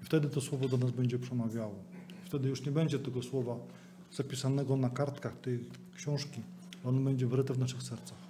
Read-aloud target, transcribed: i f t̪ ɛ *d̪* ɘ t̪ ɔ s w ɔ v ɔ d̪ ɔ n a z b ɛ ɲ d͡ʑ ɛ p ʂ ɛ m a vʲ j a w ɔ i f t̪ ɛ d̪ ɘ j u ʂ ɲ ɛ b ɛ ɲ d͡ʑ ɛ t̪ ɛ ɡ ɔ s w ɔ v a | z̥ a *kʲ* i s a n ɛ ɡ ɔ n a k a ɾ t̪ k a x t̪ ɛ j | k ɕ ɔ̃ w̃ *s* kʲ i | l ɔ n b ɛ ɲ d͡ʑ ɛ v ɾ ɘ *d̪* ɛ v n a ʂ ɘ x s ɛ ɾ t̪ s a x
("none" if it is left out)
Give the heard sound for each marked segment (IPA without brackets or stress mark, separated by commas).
d̪, pʲ, ʂ, t̪